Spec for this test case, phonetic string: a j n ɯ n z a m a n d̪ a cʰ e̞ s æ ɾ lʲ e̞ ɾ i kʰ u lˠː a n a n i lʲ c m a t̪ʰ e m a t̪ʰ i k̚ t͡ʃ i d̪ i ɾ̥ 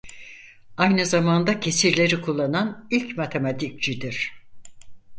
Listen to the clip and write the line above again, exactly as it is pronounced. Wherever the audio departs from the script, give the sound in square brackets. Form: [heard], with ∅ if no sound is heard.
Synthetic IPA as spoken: a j n ɯ [∅] z a m a n d̪ a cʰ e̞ s [i] ɾ lʲ e̞ ɾ i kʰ u lˠː a n a n i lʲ c m a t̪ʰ e m a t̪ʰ i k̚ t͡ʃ i d̪ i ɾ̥